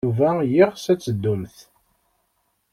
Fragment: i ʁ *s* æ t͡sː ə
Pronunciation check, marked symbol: correct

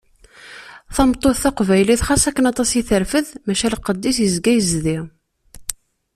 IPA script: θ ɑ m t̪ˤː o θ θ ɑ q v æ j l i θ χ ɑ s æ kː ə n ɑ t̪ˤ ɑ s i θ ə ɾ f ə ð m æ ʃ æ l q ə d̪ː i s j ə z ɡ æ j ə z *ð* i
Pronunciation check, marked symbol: correct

